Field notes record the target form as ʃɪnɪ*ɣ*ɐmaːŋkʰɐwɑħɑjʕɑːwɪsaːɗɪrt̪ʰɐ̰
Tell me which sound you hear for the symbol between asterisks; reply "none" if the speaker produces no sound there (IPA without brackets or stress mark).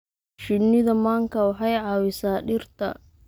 ð